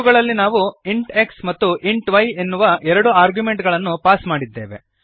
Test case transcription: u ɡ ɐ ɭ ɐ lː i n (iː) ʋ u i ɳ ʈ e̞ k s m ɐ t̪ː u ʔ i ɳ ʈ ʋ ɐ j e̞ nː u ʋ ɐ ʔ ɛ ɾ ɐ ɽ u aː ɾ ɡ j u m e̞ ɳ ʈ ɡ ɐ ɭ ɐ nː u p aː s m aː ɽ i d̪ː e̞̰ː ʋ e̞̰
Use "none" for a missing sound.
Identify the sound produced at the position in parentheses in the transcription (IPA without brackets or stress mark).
aː